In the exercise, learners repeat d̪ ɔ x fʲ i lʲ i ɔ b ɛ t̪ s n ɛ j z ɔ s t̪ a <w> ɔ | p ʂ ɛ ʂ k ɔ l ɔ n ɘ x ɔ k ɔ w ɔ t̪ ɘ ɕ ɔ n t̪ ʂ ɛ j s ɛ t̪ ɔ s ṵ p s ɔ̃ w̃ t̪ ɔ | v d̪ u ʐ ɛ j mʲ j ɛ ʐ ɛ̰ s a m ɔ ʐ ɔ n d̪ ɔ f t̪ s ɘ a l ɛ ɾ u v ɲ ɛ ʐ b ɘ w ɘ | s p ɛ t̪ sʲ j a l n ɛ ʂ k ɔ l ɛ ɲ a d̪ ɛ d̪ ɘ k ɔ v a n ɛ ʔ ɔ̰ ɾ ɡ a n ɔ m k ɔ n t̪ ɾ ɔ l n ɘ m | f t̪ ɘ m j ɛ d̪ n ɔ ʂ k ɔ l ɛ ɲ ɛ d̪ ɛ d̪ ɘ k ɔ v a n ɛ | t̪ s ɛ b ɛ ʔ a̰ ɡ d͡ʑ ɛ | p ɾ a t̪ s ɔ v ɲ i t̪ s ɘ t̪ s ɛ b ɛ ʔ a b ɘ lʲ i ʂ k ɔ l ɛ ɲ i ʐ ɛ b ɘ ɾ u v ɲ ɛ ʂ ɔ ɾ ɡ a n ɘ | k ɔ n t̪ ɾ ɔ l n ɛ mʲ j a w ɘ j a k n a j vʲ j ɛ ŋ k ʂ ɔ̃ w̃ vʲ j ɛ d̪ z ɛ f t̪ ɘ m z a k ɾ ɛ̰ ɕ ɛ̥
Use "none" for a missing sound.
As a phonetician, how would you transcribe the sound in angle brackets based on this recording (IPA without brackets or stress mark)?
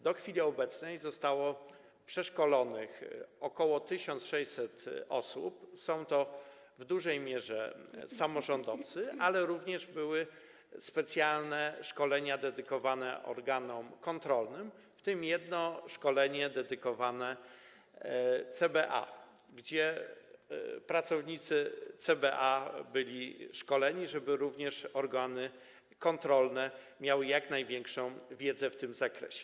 w